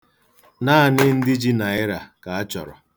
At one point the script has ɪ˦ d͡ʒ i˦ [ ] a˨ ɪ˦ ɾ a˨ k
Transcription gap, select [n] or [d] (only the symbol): n